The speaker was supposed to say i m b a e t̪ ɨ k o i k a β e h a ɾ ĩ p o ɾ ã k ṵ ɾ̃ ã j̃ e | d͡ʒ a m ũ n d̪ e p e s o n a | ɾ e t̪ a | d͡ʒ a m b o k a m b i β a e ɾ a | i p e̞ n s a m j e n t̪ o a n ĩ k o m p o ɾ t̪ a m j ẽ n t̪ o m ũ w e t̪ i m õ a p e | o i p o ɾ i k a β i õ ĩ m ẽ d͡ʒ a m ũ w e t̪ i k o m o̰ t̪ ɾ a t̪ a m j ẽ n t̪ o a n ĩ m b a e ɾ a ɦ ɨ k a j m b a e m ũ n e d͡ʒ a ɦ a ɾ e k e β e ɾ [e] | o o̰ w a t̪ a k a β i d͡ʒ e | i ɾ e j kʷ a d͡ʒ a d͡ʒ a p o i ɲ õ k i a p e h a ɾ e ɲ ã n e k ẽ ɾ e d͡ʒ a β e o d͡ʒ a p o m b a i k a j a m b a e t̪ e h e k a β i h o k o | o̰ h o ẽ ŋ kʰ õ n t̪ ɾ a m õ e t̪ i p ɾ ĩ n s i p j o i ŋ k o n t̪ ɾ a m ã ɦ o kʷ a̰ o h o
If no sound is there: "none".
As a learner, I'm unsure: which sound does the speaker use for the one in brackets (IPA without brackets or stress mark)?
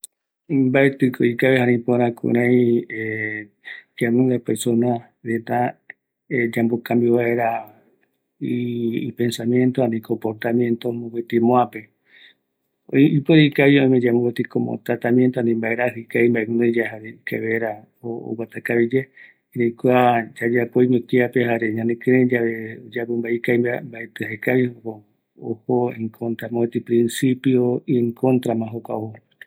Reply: a